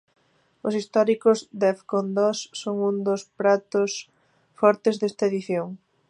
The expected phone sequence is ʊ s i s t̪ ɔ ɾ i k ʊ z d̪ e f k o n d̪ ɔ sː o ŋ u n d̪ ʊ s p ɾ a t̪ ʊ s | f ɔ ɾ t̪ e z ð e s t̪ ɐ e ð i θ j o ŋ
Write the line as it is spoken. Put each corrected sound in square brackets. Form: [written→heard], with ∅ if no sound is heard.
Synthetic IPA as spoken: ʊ s i s t̪ ɔ ɾ i k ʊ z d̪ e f k o n d̪ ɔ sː o ŋ u n d̪ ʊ s p ɾ a t̪ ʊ s | f ɔ ɾ t̪ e z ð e s t̪ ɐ e ð i θ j o ŋ